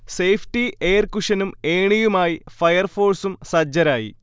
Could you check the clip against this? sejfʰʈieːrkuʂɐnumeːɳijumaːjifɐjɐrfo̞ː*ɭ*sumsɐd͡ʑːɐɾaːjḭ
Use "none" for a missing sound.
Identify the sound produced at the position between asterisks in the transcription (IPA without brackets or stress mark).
r